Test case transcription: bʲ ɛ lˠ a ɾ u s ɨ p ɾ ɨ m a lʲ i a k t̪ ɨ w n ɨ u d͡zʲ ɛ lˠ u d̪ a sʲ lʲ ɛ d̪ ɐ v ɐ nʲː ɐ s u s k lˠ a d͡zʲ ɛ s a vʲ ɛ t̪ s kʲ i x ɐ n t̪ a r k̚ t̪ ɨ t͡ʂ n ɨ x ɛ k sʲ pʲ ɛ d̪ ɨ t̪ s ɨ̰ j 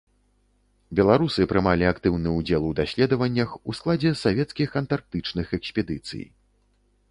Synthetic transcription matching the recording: bʲ ɛ lˠ a ɾ u s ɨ p ɾ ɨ m a lʲ i a k t̪ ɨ w n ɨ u d͡zʲ ɛ lˠ u d̪ a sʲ lʲ ɛ d̪ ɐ v ɐ nʲː ɐ x u s k lˠ a d͡zʲ ɛ s a vʲ ɛ t̪ s kʲ i x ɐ n t̪ a r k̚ t̪ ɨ t͡ʂ n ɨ x ɛ k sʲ pʲ ɛ d̪ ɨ t̪ s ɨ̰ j

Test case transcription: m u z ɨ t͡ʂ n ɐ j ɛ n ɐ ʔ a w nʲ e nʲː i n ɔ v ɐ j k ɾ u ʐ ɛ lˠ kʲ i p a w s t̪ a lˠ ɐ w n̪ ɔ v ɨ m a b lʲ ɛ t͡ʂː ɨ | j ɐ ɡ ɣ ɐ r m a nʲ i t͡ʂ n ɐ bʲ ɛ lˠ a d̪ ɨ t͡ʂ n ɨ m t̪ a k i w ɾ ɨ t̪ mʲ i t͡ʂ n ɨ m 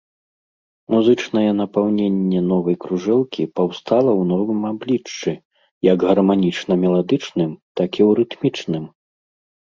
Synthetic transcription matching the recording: m u z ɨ t͡ʂ n ɐ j ɛ n ɐ p a w nʲ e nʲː ɛ n ɔ v ɐ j k ɾ u ʐ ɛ lˠ kʲ i p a w s t̪ a lˠ ɐ w n̪ ɔ v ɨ m a b lʲ i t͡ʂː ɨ | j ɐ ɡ ɣ ɐ r m a nʲ i t͡ʂ n ɐ mʲ ɛ lˠ a d̪ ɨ t͡ʂ n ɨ m t̪ a k i w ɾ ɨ t̪ mʲ i t͡ʂ n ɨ m

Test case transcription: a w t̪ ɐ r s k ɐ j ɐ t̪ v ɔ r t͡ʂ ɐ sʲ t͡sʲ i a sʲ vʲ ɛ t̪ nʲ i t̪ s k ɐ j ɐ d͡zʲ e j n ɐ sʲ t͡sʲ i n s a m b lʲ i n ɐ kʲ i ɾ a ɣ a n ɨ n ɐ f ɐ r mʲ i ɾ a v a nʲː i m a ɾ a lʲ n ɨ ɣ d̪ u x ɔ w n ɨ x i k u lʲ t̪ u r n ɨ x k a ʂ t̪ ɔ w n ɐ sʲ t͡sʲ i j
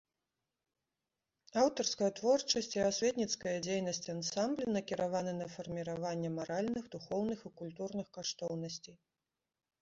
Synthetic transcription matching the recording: a w t̪ ɐ r s k ɐ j ɐ t̪ v ɔ r t͡ʂ ɐ sʲ t͡sʲ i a sʲ vʲ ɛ t̪ nʲ i t̪ s k ɐ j ɐ d͡zʲ e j n ɐ sʲ t͡sʲ a n s a m b lʲ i n ɐ kʲ i ɾ a v a n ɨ n ɐ f ɐ r mʲ i ɾ a v a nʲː ɛ m a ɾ a lʲ n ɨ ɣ d̪ u x ɔ w n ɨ x i k u lʲ t̪ u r n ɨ x k a ʂ t̪ ɔ w n ɐ sʲ t͡sʲ i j

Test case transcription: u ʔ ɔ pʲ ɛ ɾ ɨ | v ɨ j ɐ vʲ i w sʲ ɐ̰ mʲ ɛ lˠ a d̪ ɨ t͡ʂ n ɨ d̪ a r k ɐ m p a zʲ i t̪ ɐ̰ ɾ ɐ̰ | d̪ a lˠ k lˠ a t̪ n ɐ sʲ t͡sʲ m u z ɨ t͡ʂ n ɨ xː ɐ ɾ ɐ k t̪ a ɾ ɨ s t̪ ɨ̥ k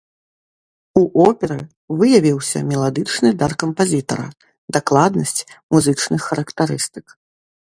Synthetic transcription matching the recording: u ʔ ɔ pʲ ɛ ɾ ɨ | v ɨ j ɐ vʲ i w sʲ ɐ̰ mʲ ɛ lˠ a d̪ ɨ t͡ʂ n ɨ d̪ a r k ɐ m p a zʲ i t̪ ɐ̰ ɾ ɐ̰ | d̪ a k lˠ a d̪ n ɐ sʲ t͡sʲ m u z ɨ t͡ʂ n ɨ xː ɐ ɾ ɐ k t̪ a ɾ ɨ s t̪ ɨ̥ k

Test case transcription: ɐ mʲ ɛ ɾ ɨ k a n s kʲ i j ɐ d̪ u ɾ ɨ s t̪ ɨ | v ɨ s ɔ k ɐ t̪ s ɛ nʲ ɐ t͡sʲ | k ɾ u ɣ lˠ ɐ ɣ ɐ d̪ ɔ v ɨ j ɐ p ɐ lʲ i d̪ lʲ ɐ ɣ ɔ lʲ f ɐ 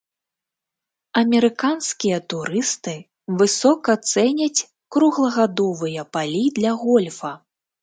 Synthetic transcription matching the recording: ɐ mʲ ɛ ɾ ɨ k a n s kʲ i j ɐ t̪ u ɾ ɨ s t̪ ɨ | v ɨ s ɔ k ɐ t̪ s ɛ nʲ ɐ t͡sʲ | k ɾ u ɣ lˠ ɐ ɣ a d̪ ɔ v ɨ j ɐ p a lʲ i d̪ lʲ ɐ ɣ ɔ lʲ f ɐ

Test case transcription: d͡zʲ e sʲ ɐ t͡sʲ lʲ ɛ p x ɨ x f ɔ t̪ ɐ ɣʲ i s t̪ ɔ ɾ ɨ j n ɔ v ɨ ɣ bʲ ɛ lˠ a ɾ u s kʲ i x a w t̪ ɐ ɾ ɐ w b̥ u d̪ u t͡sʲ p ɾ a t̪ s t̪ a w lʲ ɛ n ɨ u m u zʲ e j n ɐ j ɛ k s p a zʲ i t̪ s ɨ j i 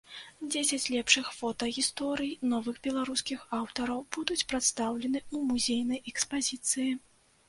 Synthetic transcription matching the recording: d͡zʲ e sʲ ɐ t͡sʲ lʲ ɛ p ʂ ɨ x f ɔ t̪ ɐ ɣʲ i s t̪ ɔ ɾ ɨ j n ɔ v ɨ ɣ bʲ ɛ lˠ a ɾ u s kʲ i x a w t̪ ɐ ɾ ɐ w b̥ u d̪ u t͡sʲ p ɾ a t̪ s t̪ a w lʲ ɛ n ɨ u m u zʲ e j n ɐ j ɛ k s p a zʲ i t̪ s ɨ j i

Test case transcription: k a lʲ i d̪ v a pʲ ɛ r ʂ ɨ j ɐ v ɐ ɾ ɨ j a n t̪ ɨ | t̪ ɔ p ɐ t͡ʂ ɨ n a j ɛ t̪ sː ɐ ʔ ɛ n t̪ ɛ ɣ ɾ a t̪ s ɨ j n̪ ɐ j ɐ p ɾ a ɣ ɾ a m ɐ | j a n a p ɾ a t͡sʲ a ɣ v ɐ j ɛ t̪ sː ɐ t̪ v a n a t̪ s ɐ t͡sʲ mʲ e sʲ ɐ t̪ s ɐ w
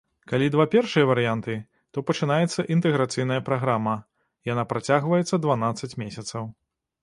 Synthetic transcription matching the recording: k a lʲ i d̪ v a pʲ ɛ r ʂ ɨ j ɐ v ɐ ɾ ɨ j a n t̪ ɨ | t̪ ɔ p ɐ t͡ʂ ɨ n a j ɛ t̪ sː ɐ ʔ i n t̪ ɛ ɣ ɾ a t̪ s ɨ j n̪ ɐ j ɐ p ɾ a ɣ ɾ a m ɐ | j a n a p ɾ a t͡sʲ a ɣ v ɐ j ɛ t̪ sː ɐ d̪ v a n a t̪ s ɐ t͡sʲ mʲ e sʲ ɐ t̪ s ɐ w

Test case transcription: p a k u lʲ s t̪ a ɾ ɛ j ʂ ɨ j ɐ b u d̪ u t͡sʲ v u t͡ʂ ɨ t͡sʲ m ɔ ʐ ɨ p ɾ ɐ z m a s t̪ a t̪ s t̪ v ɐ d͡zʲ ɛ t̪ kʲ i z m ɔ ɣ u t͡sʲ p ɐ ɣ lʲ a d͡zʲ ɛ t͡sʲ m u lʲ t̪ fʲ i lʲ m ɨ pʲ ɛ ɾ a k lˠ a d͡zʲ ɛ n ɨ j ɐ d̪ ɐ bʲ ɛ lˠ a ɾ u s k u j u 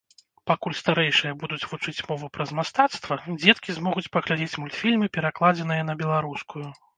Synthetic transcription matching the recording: p a k u lʲ s t̪ a ɾ ɛ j ʂ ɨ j ɐ b u d̪ u t͡sʲ v u t͡ʂ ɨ t͡sʲ m ɔ v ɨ p ɾ ɐ z m a s t̪ a t̪ s t̪ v ɐ d͡zʲ ɛ t̪ kʲ i z m ɔ ɣ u t͡sʲ p ɐ ɣ lʲ a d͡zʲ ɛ t͡sʲ m u lʲ t̪ fʲ i lʲ m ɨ pʲ ɛ ɾ a k lˠ a d͡zʲ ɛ n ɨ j ɐ n̪ ɐ bʲ ɛ lˠ a ɾ u s k u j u

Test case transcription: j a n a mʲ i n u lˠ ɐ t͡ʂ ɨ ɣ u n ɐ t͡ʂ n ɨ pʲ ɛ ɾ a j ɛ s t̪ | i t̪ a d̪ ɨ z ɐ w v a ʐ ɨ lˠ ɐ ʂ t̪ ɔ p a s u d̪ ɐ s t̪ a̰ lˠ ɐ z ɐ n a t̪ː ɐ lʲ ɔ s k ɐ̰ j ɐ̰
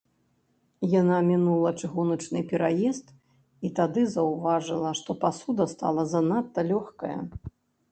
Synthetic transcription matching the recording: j a n a mʲ i n u lˠ ɐ t͡ʂ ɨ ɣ u n ɐ t͡ʂ n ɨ pʲ ɛ ɾ a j ɛ s t̪ | i t̪ a d̪ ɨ z ɐ w v a ʐ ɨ lˠ ɐ ʂ t̪ ɔ p a s u d̪ ɐ s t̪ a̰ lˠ ɐ z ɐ n a t̪ː ɐ lʲ ɔ x k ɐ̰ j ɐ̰

